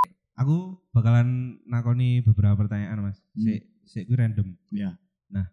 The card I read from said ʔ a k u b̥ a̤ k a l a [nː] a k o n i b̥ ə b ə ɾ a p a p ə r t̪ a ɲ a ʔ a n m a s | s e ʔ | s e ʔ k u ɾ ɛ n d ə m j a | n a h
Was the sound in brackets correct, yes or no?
yes